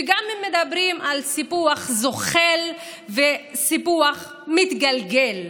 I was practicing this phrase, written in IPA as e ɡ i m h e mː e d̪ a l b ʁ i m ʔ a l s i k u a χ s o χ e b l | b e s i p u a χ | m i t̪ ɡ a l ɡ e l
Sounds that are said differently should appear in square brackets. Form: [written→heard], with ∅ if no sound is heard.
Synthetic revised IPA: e ɡ [i→a] m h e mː e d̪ a [l→∅] b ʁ i m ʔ a l s i [k→p] u a χ [s→z] o χ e [b→∅] l | [b→v] e s i p u a χ | m i t̪ ɡ a l ɡ e l